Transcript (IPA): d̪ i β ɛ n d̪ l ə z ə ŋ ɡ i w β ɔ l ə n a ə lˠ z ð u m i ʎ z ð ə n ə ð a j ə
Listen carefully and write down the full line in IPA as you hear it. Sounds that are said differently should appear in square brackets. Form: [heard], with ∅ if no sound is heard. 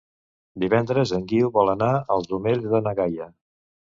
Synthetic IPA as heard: d̪ i β ɛ n d̪ [ɾ] ə z ə ŋ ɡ i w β ɔ l ə n a ə lˠ z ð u m [e] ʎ z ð ə n ə [ɣ] a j ə